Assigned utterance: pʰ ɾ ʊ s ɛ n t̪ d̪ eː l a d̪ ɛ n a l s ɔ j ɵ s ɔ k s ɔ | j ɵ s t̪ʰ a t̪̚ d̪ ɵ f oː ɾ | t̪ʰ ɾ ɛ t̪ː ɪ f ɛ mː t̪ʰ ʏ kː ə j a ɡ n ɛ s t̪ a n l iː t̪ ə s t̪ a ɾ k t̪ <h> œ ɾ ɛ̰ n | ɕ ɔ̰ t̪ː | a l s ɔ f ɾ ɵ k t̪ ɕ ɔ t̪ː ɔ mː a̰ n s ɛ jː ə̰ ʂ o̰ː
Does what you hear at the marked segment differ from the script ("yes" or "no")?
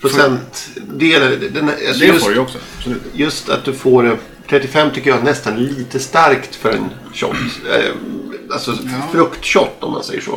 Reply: yes